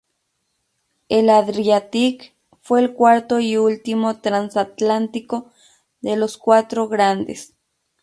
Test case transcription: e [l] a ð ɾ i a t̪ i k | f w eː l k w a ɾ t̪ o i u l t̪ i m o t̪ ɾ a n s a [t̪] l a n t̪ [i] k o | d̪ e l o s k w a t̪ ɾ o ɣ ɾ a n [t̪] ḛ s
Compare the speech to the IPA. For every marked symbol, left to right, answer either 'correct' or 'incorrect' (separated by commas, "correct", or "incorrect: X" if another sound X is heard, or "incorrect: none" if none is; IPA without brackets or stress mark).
correct, correct, correct, incorrect: d̪